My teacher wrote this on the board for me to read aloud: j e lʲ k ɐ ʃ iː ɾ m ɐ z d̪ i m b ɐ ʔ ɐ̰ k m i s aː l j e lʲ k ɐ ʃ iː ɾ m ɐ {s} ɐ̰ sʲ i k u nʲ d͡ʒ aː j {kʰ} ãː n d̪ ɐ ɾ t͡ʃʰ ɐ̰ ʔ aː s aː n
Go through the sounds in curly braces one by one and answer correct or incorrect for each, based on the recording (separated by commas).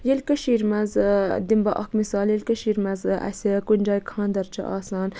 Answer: incorrect, correct